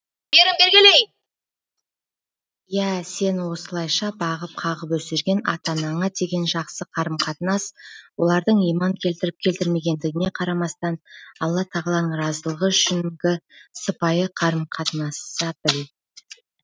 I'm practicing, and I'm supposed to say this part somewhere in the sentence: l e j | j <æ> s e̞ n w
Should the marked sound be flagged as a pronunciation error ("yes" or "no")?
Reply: no